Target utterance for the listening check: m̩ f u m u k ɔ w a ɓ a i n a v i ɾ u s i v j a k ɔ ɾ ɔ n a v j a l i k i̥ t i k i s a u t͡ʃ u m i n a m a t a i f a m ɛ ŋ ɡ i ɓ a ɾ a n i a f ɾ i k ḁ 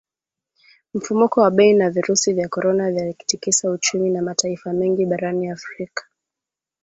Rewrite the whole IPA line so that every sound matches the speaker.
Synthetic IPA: m̩ f u m u k ɔ w a ɓ ɛ i n a v i ɾ u s i v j a k ɔ ɾ ɔ n a v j a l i k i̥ t i k i s a u t͡ʃ u m i n a m a t a i f a m ɛ ŋ ɡ i ɓ a ɾ a n i a f ɾ i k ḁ